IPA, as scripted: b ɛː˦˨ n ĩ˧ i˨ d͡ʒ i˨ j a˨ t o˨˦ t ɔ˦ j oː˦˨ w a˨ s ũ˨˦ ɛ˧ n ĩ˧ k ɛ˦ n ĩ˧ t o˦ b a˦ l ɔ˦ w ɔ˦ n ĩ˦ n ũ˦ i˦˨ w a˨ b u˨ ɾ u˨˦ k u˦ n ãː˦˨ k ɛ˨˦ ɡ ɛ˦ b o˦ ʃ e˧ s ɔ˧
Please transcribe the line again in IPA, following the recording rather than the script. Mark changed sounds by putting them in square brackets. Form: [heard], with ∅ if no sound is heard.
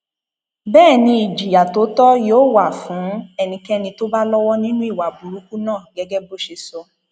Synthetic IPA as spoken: b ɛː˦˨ n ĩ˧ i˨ d͡ʒ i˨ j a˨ t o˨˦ t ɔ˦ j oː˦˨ w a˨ [f] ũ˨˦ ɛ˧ n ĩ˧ k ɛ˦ n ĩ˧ t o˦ b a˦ l ɔ˦ w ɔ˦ n ĩ˦ n ũ˦ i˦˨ w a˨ b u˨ ɾ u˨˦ k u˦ n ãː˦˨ [ɡ] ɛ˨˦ ɡ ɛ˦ b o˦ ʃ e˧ s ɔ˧